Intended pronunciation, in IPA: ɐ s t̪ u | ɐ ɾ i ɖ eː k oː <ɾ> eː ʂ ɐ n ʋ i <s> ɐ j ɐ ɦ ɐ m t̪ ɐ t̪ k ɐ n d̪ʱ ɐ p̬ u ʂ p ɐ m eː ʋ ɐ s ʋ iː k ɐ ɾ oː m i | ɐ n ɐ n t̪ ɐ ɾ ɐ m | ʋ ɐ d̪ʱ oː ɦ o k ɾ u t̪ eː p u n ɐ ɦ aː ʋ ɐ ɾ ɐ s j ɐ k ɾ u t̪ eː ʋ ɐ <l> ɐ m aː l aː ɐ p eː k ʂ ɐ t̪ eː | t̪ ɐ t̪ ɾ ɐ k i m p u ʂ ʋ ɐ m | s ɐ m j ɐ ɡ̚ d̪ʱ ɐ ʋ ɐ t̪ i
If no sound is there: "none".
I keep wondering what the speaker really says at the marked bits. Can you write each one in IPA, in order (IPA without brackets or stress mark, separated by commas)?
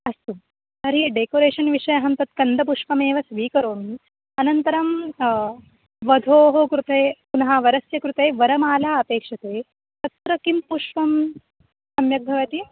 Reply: ɾ, ʂ, ɾ